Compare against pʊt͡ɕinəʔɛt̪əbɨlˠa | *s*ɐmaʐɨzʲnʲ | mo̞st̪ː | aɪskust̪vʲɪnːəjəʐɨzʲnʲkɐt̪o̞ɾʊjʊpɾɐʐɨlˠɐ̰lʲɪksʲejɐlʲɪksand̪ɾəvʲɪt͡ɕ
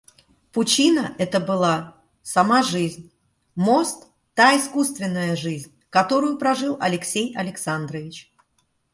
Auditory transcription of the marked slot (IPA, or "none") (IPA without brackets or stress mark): s